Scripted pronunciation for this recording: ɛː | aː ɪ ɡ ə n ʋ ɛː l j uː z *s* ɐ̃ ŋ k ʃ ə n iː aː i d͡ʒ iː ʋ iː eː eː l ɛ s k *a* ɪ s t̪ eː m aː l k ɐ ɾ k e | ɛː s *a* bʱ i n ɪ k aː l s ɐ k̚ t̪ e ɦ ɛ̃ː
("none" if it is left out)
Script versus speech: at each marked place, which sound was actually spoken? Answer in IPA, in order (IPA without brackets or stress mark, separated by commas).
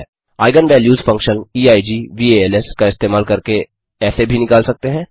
f, a, e